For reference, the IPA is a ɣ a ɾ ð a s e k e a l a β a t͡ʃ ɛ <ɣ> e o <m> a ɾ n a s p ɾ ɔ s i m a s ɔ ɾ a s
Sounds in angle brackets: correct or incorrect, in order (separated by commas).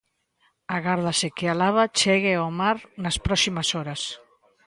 correct, correct